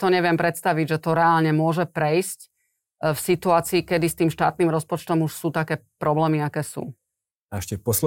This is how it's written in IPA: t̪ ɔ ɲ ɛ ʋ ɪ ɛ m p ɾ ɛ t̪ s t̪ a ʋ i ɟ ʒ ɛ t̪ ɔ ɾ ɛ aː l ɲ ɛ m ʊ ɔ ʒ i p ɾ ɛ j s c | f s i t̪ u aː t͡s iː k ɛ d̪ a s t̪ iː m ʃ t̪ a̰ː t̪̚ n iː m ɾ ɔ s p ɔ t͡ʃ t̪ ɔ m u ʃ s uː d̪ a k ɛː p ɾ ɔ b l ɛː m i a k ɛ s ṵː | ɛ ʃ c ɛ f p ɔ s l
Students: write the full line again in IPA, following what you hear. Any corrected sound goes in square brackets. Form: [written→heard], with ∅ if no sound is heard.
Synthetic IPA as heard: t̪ ɔ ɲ ɛ ʋ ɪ ɛ m p ɾ ɛ t̪ s t̪ a ʋ i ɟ ʒ ɛ t̪ ɔ ɾ ɛ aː l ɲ ɛ m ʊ ɔ ʒ [i→ɛ] p ɾ ɛ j s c | f s i t̪ u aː t͡s iː k ɛ d̪ [a→i] s t̪ iː m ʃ t̪ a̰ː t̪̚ n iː m ɾ ɔ s p ɔ t͡ʃ t̪ ɔ m u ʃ s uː [d̪→t̪] a k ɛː p ɾ ɔ b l ɛː m i a k [ɛ→ɛː] s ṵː | ɛ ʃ c ɛ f p ɔ s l